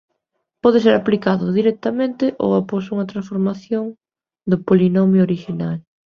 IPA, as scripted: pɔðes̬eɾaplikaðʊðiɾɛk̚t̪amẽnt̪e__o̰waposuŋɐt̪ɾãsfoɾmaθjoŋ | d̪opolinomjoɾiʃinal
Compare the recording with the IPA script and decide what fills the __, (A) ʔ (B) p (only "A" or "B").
A